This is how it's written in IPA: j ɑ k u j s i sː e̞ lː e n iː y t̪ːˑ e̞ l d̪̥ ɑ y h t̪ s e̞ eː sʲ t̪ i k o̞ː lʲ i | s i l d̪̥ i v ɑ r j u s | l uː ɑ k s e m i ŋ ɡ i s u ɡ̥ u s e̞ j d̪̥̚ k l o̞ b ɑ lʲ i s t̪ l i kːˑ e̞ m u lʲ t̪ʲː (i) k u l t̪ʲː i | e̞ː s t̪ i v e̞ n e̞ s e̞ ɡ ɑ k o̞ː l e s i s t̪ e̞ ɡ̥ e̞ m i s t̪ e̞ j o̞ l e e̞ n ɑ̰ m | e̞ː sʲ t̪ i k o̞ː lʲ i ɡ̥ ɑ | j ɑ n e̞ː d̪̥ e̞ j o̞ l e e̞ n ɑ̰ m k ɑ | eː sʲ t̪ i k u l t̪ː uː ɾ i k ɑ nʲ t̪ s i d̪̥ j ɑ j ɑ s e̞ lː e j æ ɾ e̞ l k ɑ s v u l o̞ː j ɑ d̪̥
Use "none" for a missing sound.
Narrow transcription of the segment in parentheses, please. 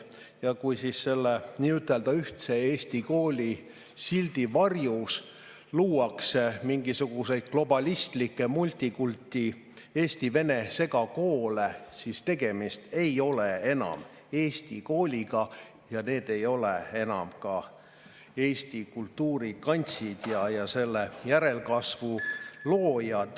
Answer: i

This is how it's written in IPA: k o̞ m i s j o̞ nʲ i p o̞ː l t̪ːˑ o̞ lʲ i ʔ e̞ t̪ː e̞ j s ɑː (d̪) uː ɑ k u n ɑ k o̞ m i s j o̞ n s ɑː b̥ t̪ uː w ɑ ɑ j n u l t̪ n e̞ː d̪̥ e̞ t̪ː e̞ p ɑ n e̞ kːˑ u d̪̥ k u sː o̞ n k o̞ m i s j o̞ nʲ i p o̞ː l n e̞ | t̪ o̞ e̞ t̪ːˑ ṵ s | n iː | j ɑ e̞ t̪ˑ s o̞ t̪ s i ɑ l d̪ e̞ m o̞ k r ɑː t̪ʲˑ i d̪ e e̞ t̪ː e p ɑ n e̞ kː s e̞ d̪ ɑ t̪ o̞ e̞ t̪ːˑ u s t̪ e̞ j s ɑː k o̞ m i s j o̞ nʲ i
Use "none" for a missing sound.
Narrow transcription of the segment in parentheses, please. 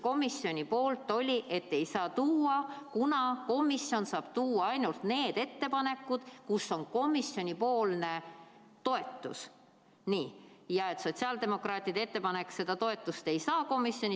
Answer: t̪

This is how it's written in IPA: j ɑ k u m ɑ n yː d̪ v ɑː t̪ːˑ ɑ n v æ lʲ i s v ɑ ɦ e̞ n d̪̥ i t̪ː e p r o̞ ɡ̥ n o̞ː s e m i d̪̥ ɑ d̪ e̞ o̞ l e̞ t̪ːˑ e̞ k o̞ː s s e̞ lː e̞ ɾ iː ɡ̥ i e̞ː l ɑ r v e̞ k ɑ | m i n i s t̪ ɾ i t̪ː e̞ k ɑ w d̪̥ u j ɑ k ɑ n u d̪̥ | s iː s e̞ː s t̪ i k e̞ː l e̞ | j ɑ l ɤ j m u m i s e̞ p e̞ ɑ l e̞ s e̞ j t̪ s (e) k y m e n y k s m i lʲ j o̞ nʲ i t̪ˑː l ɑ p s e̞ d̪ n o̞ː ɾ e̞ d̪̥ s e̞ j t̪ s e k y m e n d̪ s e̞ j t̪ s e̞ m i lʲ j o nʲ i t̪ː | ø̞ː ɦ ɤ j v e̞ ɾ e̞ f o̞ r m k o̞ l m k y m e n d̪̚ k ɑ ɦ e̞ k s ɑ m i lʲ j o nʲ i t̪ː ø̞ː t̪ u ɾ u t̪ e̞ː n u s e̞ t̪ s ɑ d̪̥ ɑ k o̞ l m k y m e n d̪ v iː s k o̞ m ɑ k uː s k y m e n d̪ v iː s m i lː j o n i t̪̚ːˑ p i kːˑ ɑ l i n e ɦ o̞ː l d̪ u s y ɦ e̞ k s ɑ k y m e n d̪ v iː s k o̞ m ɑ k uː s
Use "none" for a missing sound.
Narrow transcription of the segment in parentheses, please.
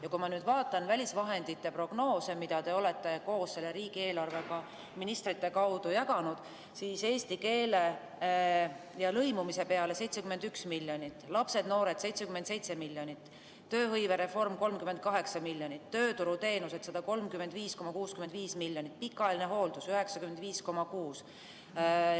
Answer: e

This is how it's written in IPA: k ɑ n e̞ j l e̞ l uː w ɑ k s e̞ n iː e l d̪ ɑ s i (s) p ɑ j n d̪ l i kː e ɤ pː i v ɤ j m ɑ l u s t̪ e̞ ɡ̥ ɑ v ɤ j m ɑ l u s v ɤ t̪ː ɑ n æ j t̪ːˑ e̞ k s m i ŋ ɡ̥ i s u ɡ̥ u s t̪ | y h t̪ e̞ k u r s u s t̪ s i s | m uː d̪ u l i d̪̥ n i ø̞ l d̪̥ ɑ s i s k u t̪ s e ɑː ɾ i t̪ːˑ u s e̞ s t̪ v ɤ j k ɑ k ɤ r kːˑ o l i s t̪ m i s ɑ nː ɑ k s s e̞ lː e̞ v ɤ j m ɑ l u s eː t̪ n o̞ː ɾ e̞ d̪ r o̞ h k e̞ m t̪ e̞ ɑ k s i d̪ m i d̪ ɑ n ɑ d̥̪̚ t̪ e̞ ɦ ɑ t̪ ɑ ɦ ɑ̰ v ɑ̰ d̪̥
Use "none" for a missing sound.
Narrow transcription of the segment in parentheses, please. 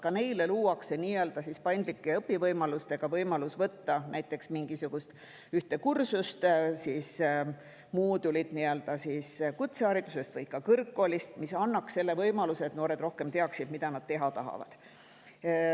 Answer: s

